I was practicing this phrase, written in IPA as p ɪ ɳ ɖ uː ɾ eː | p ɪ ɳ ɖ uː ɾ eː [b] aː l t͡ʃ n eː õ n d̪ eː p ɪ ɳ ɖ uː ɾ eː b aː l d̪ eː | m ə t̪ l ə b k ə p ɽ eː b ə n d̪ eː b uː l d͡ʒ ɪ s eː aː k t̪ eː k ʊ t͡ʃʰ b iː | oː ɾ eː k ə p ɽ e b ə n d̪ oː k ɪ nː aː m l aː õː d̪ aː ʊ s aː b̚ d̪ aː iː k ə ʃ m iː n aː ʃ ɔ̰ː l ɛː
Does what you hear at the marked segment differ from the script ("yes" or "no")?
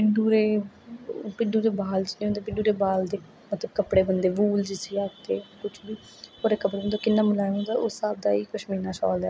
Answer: no